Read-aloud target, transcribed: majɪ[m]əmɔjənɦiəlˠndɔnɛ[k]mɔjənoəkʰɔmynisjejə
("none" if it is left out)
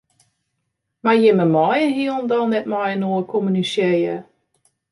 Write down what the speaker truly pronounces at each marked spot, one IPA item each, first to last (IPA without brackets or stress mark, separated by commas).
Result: m, t